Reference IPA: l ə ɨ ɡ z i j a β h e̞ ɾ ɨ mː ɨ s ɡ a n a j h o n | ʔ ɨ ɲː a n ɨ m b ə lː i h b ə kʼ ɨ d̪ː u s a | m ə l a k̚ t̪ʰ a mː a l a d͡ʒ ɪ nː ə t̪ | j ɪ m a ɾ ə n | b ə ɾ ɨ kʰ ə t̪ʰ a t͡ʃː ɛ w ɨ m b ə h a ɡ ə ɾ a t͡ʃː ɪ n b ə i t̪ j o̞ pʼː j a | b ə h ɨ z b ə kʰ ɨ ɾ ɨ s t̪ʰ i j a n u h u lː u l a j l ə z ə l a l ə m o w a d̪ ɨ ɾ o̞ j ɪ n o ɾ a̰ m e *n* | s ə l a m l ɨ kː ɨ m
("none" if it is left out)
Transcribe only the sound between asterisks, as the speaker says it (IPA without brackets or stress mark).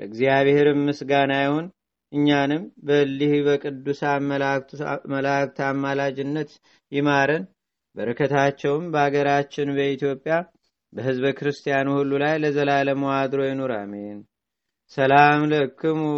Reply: n